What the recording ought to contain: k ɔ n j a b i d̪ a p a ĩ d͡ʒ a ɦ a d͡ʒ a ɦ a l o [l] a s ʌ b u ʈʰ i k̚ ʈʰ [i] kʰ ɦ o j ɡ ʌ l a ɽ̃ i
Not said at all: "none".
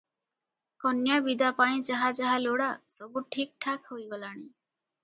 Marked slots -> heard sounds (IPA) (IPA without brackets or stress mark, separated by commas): ɽ, a